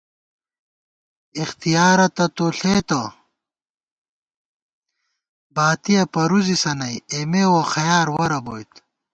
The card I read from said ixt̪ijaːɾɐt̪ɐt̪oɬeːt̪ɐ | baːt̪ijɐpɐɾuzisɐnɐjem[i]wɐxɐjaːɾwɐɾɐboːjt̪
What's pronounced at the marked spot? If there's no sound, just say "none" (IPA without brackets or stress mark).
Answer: e